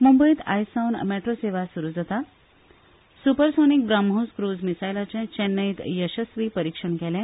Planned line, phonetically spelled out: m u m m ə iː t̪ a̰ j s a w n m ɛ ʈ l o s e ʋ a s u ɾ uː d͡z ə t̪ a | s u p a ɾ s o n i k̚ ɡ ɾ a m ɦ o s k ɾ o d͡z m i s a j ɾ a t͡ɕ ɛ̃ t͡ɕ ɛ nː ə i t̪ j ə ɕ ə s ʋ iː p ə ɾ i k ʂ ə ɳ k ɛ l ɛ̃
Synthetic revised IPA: m u m b ə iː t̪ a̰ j s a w n m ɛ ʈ ɾ o s e ʋ a s u ɾ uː d͡z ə t̪ a | s u p ə ɾ s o n i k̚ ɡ ɾ a m ɦ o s k ɾ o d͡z m i s a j l a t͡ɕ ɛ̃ t͡ɕ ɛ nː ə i t̪ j ə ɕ ə s ʋ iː p ə ɾ i k ʂ ə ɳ k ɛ l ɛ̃

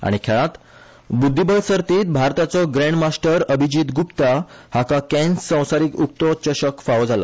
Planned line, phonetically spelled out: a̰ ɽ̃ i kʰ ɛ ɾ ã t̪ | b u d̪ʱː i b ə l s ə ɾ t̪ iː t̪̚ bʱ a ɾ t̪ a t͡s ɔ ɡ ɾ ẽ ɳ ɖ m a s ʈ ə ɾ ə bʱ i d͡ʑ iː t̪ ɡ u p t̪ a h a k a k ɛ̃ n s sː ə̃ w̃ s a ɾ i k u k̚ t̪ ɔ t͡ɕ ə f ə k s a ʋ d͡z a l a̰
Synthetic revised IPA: a̰ ɽ̃ i kʰ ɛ ɭ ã t̪ | b u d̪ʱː i b ə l s ə ɾ t̪ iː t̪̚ bʱ a ɾ t̪ a t͡s ɔ ɡ ɾ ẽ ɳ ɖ m a s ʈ ə ɾ ə bʱ i d͡ʑ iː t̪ ɡ u p t̪ a h a k a k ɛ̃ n s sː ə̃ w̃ s a ɾ i k u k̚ t̪ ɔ t͡ɕ ə ɕ ə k f a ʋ d͡z a l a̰

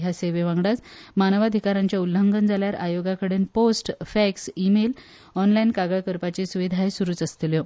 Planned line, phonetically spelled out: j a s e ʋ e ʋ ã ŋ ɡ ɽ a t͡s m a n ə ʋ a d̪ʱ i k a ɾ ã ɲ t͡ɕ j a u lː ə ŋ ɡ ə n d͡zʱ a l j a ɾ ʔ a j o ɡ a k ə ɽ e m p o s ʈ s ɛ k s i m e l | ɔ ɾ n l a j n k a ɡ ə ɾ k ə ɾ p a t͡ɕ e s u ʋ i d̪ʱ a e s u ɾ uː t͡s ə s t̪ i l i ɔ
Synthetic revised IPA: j a s e ʋ e ʋ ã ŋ ɡ ɽ a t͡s m a n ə ʋ a d̪ʱ i k a ɾ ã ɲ t͡ɕ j a u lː ə ŋ ɡ ə n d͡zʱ a l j a ɾ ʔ a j o ɡ a k ə ɽ e n p o s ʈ f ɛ k s i m e l | ɔ n l a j n k a ɡ ə ɭ k ə ɾ p a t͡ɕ e s u ʋ i d̪ʱ a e s u ɾ uː t͡s ə s t̪ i l j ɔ

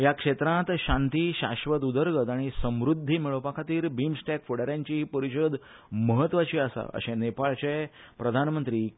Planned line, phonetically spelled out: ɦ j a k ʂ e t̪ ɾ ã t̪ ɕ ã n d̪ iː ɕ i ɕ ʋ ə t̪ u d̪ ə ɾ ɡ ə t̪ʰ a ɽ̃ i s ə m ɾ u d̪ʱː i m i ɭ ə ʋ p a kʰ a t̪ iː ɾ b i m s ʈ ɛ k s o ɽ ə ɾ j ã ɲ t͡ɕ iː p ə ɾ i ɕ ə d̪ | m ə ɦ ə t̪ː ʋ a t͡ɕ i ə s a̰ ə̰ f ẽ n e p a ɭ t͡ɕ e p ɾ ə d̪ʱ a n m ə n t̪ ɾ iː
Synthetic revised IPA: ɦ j a k ʂ e t̪ ɾ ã t̪ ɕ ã n t̪ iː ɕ a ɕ ʋ ə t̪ u d̪ ə ɾ ɡ ə t̪ a ɽ̃ i s ə m ɾ u d̪ʱː i m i ɭ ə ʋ p a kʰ a t̪ iː ɾ b i m s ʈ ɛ k f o ɽ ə ɾ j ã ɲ t͡ɕ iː p ə ɾ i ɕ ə d̪ | m ə ɦ ə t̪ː ʋ a t͡ɕ i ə s a̰ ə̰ ɕ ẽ n e p a ɭ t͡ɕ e p ɾ ə d̪ʱ a n m ə n t̪ ɾ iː

